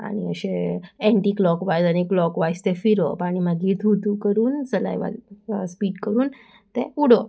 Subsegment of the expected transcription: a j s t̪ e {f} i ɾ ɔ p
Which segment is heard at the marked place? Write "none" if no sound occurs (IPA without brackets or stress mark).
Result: f